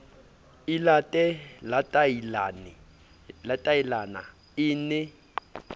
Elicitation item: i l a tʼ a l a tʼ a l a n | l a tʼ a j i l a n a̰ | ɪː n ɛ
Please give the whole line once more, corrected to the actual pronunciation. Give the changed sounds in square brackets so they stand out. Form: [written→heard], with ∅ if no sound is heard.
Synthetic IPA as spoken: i l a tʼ [a→ɛ] l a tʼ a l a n | l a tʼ a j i l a n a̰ | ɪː n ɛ